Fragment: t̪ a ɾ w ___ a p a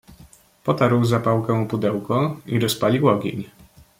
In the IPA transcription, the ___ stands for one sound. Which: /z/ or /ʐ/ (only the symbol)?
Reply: z